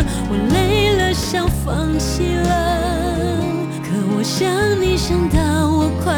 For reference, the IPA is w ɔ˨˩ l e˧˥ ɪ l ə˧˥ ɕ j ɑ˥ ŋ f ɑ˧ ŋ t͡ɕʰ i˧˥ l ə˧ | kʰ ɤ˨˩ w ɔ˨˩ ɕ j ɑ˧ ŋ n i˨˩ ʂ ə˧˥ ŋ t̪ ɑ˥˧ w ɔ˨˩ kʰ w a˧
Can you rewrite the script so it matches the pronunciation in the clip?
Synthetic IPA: w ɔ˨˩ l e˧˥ ɪ l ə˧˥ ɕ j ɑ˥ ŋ f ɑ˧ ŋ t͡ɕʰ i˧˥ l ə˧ | kʰ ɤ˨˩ w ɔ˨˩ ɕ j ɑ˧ ŋ n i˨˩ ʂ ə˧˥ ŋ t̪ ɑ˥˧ w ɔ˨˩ kʰ w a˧